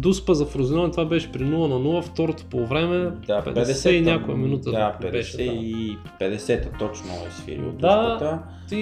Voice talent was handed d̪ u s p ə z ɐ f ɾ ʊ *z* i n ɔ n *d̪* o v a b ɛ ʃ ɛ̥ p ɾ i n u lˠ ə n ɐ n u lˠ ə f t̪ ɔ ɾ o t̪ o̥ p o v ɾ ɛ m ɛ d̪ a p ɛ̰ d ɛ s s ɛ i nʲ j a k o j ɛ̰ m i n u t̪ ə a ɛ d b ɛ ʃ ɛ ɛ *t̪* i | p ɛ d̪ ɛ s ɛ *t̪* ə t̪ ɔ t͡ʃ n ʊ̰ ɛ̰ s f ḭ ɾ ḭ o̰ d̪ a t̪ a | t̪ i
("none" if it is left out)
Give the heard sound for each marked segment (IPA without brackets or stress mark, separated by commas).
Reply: z, t̪, none, t̪